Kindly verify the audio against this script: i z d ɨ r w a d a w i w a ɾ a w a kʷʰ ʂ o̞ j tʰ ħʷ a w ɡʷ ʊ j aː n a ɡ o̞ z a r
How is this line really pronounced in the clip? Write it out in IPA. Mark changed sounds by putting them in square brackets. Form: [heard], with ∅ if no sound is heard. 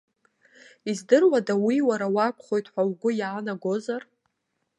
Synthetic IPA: i z d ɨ r w a d a w i w a ɾ a w a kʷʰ [χ] o̞ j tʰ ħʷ a w ɡʷ ʊ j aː n a ɡ o̞ z a r